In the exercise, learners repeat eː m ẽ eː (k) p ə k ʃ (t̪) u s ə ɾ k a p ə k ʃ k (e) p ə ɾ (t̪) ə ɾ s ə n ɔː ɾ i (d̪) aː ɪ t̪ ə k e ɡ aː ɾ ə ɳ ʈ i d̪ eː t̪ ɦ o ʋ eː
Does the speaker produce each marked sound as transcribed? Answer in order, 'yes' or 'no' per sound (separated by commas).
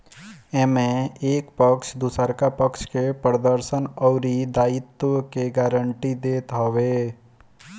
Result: yes, no, yes, no, yes